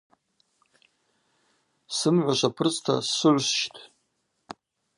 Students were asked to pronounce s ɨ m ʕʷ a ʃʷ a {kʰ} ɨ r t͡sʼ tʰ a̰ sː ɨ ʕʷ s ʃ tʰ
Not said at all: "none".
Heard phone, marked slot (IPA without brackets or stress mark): pʰ